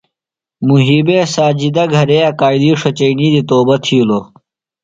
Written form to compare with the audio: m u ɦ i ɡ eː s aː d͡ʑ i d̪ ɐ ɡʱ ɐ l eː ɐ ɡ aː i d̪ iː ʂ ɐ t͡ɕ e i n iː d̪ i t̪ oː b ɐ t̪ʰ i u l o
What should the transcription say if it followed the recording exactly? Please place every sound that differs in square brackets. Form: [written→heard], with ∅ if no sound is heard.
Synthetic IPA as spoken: m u ɦ i [ɡ→b] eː s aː d͡ʑ i d̪ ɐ ɡʱ ɐ [l→ɾ] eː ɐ [ɡ→k] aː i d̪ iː ʂ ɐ t͡ɕ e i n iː d̪ i t̪ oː b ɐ t̪ʰ i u l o